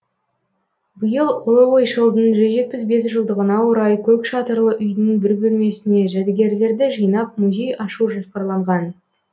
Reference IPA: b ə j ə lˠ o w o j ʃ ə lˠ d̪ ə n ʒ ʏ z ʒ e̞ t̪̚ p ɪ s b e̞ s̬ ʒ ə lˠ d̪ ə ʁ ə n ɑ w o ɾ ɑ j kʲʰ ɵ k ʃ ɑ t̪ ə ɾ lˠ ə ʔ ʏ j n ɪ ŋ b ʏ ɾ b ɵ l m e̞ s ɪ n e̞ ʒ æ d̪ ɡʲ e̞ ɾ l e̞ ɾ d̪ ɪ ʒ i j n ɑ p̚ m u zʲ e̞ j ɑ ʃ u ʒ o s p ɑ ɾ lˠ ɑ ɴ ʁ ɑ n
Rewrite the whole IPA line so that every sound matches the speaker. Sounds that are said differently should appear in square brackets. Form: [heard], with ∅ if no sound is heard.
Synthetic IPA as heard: b ə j ə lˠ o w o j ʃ ə lˠ d̪ ə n ʒ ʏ z ʒ e̞ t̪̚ p ɪ s b e̞ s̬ ʒ ə lˠ d̪ ə ʁ ə n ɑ w o ɾ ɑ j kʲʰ ɵ k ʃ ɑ t̪ ə ɾ lˠ ə ʔ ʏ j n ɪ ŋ b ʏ ɾ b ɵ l m e̞ s ɪ n e̞ ʒ æ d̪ ɡʲ e̞ ɾ l e̞ ɾ d̪ ɪ ʒ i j n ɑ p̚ m u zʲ e̞ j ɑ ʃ u ʒ o s p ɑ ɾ lˠ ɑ ɴ ʁ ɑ n

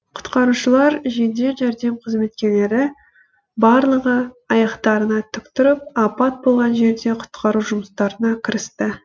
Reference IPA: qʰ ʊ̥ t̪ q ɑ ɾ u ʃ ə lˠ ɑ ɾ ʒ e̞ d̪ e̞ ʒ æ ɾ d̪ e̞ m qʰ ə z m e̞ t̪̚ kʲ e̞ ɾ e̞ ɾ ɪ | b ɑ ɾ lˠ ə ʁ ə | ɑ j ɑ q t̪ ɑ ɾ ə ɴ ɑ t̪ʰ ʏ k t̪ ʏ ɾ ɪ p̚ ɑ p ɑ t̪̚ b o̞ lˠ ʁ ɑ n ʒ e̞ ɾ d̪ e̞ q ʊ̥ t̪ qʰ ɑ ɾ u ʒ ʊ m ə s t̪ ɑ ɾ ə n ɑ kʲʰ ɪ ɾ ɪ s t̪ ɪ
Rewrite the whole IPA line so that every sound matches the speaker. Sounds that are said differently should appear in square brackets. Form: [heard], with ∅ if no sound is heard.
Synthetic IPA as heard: qʰ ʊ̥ t̪ q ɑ ɾ u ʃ ə lˠ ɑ ɾ ʒ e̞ d̪ e̞ ʒ æ ɾ d̪ e̞ m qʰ ə z m e̞ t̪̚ kʲ e̞ [l] e̞ ɾ ɪ | b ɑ ɾ lˠ ə ʁ ə | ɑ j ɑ q t̪ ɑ ɾ ə [n] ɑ t̪ʰ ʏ k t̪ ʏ ɾ ɪ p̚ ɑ p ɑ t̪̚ b o̞ lˠ ʁ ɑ n ʒ e̞ ɾ d̪ e̞ [qʰ] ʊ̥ t̪ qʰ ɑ ɾ u ʒ ʊ m ə s t̪ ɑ ɾ ə n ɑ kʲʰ ɪ ɾ ɪ s t̪ ɪ

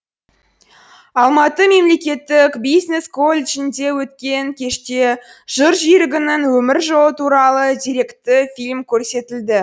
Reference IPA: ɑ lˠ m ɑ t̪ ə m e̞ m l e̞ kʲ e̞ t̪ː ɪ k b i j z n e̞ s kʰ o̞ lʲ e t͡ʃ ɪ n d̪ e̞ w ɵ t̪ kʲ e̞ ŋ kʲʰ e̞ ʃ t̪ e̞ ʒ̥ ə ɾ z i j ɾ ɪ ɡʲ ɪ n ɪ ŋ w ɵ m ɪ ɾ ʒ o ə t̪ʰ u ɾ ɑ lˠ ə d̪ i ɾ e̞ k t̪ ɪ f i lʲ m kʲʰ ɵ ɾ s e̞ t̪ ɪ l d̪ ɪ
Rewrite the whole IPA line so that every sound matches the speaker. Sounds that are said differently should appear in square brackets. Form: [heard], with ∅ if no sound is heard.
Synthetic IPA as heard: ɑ lˠ m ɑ t̪ ə m e̞ m l e̞ kʲ e̞ t̪ː ɪ k b i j z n e̞ s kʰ o̞ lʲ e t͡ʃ ɪ n d̪ e̞ w ɵ t̪ kʲ e̞ ŋ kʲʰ e̞ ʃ t̪ e̞ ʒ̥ ə ɾ [ʒ] i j ɾ ɪ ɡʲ ɪ n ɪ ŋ w ɵ m ɪ ɾ ʒ o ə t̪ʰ u ɾ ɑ lˠ ə d̪ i ɾ e̞ k t̪ ɪ f i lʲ m kʲʰ ɵ ɾ s e̞ t̪ ɪ l d̪ ɪ

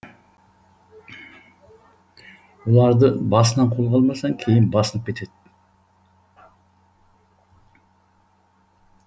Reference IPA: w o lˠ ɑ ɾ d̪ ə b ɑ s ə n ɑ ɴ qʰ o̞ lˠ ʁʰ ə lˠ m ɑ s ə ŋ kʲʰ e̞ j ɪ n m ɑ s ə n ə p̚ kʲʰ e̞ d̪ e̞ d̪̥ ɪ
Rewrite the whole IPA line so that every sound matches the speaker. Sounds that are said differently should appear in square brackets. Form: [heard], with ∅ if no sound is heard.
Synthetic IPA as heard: w o lˠ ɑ ɾ d̪ ə b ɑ s ə n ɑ ɴ qʰ o̞ lˠ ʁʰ [ɑ] lˠ m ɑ s [ɑ] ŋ kʲʰ e̞ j ɪ n [b] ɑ s ə n ə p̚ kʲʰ e̞ [t̪] e̞ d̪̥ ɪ

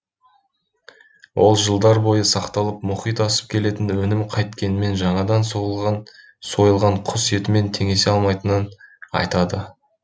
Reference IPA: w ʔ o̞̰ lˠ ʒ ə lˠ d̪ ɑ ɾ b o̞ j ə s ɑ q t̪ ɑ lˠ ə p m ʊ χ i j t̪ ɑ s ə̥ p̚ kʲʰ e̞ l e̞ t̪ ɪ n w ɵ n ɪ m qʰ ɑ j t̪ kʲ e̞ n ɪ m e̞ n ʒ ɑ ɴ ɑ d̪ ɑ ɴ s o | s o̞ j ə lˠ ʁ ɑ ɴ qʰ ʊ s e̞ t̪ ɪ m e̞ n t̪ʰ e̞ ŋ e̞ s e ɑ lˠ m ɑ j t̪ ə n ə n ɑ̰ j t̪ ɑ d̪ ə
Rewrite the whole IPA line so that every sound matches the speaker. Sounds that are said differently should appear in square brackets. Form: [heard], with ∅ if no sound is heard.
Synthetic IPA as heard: w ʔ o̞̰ lˠ ʒ ə lˠ d̪ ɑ ɾ b o̞ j ə s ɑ q t̪ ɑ lˠ ə p m ʊ χ i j t̪ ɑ s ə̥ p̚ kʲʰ e̞ l e̞ t̪ ɪ n w ɵ n ɪ m qʰ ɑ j t̪ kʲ e̞ n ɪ m e̞ n ʒ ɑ ɴ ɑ d̪ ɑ [n] s o | s o̞ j ə lˠ ʁ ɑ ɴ qʰ ʊ s e̞ t̪ ɪ m e̞ n t̪ʰ e̞ ŋ e̞ s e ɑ lˠ m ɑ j t̪ ə n ə n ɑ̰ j t̪ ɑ d̪ ə

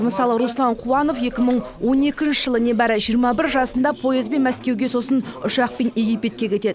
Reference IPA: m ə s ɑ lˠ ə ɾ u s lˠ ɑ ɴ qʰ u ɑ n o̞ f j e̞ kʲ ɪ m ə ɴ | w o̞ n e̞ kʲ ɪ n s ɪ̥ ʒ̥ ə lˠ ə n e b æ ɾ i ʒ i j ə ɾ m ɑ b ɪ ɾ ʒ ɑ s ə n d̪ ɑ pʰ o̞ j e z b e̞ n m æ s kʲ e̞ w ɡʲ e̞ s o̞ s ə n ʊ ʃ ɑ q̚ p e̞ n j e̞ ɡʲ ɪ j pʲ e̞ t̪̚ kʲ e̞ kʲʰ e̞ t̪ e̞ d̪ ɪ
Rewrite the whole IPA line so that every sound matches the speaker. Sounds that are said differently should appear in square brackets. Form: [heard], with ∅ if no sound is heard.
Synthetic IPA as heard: m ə s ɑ lˠ ə ɾ u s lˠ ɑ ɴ qʰ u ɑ n o̞ f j e̞ kʲ ɪ m ə ɴ | w o̞ n e̞ kʲ ɪ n [ʃ] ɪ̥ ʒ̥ ə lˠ ə n e b æ ɾ [ɪ] ʒ i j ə ɾ m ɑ b ɪ ɾ ʒ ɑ s ə n d̪ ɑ pʰ o̞ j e z b e̞ n m æ s kʲ e̞ w ɡʲ e̞ s o̞ s ə n ʊ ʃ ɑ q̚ p e̞ n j e̞ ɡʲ [i] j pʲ e̞ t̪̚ kʲ e̞ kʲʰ e̞ t̪ e̞ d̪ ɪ

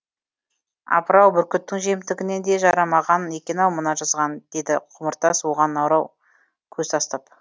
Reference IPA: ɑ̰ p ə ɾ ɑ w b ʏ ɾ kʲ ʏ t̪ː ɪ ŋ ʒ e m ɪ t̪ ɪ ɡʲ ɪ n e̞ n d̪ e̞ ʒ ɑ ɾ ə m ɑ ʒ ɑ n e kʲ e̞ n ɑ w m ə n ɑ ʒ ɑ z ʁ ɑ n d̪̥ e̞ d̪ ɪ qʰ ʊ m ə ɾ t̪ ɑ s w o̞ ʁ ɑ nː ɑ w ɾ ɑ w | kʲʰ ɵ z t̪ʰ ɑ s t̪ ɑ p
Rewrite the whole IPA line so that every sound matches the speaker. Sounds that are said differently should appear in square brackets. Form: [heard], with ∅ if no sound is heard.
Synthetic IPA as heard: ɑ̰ p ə ɾ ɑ w b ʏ ɾ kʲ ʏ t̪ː ɪ ŋ ʒ e m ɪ t̪ ɪ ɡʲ ɪ n e̞ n d̪ e̞ ʒ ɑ ɾ [ɑ] m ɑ [ʁ] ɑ n e kʲ e̞ n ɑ w m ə n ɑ ʒ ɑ z ʁ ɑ n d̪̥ e̞ d̪ ɪ qʰ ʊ m ə ɾ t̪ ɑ s w o̞ ʁ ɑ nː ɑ w ɾ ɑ w | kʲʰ ɵ z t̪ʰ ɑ s t̪ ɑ p

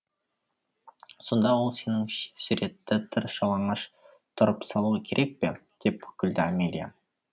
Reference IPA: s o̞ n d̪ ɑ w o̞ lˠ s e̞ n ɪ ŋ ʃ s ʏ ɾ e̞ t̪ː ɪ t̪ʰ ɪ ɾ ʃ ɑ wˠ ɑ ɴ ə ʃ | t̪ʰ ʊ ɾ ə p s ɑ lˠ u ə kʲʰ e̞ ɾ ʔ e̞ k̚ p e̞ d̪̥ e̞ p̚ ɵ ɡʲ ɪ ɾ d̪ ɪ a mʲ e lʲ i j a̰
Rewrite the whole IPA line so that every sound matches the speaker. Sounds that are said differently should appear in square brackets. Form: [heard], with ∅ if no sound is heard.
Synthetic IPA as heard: s o̞ n d̪ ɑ w o̞ lˠ s e̞ n ɪ ŋ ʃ s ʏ ɾ e̞ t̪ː ɪ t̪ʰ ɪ ɾ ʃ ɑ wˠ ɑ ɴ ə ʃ | t̪ʰ ʊ ɾ ə p s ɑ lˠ u ə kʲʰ e̞ ɾ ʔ e̞ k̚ p e̞ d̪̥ e̞ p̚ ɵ [kʲ] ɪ [l] d̪ ɪ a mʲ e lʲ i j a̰

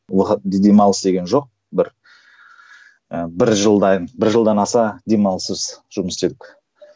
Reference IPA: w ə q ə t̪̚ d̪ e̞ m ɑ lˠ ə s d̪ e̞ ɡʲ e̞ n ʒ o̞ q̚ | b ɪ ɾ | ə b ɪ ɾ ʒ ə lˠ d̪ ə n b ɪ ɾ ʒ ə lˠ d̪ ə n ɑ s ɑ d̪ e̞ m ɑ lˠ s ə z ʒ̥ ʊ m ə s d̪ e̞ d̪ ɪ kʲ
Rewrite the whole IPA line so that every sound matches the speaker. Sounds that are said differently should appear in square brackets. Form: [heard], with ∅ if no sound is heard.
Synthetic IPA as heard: w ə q ə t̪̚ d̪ e̞ m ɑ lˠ ə s d̪ e̞ ɡʲ e̞ n ʒ o̞ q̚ | b ɪ ɾ | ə b ɪ ɾ ʒ ə lˠ d̪ [ɑ] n b ɪ ɾ ʒ ə lˠ d̪ [ɑ] n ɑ s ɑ d̪ e̞ m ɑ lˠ s ə z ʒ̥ ʊ m ə s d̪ e̞ d̪ ɪ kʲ

